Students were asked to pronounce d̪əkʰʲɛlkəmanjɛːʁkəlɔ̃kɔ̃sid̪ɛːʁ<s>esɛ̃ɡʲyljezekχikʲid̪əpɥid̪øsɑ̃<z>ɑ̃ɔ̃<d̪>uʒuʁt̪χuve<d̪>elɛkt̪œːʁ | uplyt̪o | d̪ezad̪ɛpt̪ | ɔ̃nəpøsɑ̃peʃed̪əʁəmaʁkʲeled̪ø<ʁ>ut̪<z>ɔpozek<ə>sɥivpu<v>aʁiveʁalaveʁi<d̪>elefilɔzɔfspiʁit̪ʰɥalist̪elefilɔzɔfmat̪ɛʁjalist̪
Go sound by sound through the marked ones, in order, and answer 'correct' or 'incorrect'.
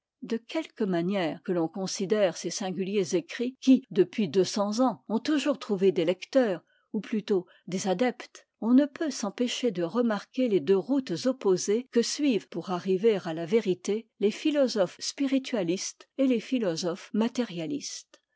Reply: correct, correct, incorrect: t̪, correct, correct, correct, correct, incorrect: ʁ, incorrect: t̪

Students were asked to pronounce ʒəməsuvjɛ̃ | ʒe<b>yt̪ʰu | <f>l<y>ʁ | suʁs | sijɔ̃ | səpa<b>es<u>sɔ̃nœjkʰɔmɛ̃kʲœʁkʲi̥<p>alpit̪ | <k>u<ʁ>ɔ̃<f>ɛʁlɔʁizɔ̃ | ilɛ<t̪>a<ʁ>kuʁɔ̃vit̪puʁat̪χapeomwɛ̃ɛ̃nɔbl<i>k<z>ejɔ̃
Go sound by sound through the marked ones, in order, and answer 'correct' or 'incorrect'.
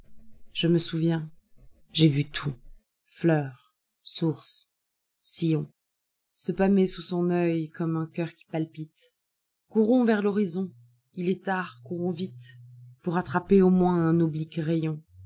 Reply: incorrect: v, correct, incorrect: œ, incorrect: m, correct, correct, correct, correct, incorrect: v, correct, correct, correct, incorrect: ʁ

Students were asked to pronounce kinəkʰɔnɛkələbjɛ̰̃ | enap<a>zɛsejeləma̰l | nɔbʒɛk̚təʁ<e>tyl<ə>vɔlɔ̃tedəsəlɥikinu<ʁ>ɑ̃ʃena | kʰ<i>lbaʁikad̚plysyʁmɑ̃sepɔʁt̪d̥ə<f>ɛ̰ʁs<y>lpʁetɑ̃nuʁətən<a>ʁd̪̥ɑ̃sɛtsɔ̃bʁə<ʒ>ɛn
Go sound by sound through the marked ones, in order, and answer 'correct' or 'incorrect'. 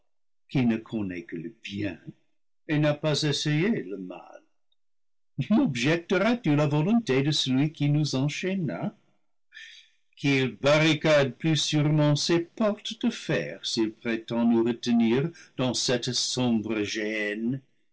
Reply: correct, incorrect: a, incorrect: a, incorrect: z, correct, correct, incorrect: i, incorrect: i, correct

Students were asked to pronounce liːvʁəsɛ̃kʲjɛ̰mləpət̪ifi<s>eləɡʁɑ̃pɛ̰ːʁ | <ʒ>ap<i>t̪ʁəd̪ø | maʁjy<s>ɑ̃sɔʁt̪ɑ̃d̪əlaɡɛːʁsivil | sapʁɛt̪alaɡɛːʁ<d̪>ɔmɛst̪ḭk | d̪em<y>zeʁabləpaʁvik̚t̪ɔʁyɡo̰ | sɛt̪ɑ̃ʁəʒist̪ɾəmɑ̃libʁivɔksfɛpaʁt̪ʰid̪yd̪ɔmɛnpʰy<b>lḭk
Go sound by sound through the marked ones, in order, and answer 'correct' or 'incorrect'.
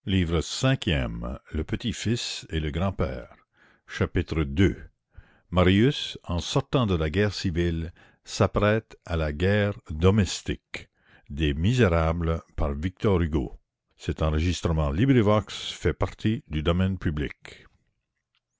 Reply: correct, incorrect: ʃ, correct, correct, correct, incorrect: i, correct

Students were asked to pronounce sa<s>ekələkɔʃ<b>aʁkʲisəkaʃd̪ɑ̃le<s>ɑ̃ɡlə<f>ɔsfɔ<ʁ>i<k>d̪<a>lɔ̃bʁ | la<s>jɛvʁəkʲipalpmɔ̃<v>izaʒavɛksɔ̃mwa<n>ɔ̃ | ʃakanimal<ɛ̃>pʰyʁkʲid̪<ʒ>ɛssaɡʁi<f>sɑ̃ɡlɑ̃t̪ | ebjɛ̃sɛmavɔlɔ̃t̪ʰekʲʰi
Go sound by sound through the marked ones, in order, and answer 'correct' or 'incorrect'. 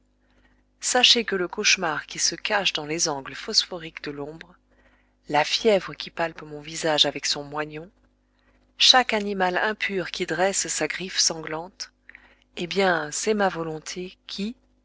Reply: incorrect: ʃ, incorrect: m, incorrect: z, correct, correct, correct, incorrect: ə, incorrect: f, correct, incorrect: ɲ, correct, incorrect: ʁ, correct

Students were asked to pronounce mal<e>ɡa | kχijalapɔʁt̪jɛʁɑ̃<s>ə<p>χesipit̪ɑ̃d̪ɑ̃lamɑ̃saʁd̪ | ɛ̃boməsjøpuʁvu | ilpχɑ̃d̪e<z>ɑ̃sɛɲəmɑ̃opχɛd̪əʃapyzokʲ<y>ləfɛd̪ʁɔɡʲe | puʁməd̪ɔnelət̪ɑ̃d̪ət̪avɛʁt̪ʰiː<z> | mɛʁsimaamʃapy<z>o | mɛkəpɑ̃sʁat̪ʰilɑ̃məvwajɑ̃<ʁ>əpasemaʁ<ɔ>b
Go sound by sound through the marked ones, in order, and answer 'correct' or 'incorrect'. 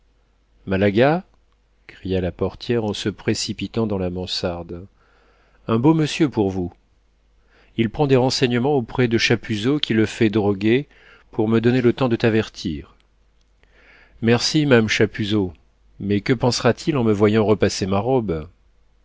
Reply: incorrect: a, correct, correct, incorrect: ʁ, incorrect: i, incorrect: ʁ, correct, correct, correct

